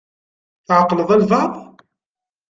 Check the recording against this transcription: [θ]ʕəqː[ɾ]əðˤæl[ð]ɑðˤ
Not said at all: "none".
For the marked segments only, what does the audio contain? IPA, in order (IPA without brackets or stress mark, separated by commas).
θ, l, v